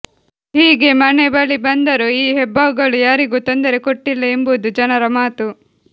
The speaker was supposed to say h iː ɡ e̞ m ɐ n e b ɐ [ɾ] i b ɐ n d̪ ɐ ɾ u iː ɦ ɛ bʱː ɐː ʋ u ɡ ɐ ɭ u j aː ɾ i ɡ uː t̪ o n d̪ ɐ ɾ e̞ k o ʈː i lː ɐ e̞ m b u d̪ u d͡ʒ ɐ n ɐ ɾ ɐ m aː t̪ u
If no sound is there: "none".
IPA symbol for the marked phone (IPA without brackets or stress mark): ɭ